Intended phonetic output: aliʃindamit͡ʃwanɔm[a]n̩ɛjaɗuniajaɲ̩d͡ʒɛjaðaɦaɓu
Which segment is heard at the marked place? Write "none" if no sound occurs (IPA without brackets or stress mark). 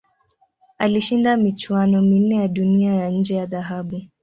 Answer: i